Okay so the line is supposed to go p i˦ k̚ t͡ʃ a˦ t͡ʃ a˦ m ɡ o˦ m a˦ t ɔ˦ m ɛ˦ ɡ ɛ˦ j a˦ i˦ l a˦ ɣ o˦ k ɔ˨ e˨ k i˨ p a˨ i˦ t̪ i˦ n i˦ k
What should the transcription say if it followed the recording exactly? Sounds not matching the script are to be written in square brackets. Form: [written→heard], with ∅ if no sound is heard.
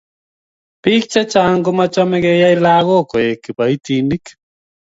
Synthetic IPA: p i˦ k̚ t͡ʃ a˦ t͡ʃ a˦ [m→ŋ] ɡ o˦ m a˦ [t→t͡ʃ] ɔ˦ m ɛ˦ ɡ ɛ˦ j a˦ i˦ l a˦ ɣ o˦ k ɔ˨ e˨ k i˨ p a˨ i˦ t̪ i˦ n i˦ k